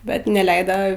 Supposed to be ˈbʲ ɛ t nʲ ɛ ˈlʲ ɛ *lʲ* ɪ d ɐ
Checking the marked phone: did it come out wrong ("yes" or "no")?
yes